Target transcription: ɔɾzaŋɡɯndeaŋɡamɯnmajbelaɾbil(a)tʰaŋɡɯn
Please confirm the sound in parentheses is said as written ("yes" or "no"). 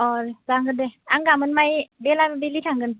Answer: no